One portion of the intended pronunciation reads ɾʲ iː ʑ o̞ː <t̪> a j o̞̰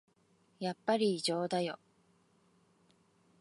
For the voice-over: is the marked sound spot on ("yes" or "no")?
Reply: no